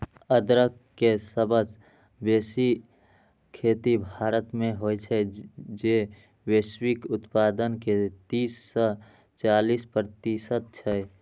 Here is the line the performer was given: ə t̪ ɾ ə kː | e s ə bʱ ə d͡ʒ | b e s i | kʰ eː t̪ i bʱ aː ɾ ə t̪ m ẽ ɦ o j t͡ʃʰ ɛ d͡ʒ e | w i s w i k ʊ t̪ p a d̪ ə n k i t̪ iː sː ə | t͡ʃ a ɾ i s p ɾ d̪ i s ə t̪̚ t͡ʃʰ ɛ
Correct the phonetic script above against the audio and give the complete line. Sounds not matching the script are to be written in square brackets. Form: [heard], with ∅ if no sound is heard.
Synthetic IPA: ə [d̪] ɾ ə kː | e s ə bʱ ə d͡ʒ | b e s i | kʰ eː t̪ i bʱ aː ɾ ə t̪ m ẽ ɦ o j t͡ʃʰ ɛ d͡ʒ e | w [e] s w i k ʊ t̪ p a d̪ ə n k [e] t̪ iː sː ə | t͡ʃ a [l] i s p ɾ [t̪] i s ə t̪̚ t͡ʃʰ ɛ